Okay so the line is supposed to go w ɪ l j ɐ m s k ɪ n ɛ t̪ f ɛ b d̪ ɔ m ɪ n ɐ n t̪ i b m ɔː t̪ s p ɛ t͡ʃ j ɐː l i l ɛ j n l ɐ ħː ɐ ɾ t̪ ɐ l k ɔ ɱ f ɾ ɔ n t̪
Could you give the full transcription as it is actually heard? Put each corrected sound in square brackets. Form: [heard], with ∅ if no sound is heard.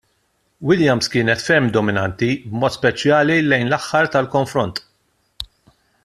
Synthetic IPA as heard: w ɪ l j ɐ m s k [ɪː] n ɛ t̪ f ɛ [m] d̪ ɔ m ɪ n ɐ n t̪ i b m ɔː t̪ s p ɛ t͡ʃ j ɐː l i l ɛ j n l ɐ ħː ɐ ɾ t̪ ɐ l k ɔ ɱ f ɾ ɔ n t̪